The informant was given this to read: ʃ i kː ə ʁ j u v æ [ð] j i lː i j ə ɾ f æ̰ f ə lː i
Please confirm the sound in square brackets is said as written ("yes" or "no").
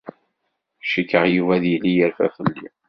yes